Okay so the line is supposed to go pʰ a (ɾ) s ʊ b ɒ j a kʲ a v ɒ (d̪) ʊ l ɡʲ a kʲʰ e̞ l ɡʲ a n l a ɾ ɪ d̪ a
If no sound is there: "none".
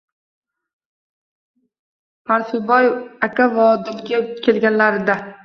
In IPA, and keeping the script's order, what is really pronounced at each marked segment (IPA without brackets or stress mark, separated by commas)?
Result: ɾ, d̪